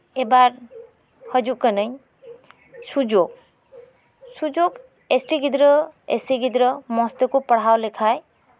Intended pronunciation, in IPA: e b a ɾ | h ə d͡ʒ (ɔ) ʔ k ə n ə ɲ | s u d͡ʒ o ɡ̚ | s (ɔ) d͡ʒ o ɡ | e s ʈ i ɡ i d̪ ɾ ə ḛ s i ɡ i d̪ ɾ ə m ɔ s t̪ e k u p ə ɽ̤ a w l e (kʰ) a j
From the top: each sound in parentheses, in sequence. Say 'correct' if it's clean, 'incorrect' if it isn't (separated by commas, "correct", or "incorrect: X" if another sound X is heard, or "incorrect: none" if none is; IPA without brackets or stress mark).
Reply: incorrect: u, incorrect: u, correct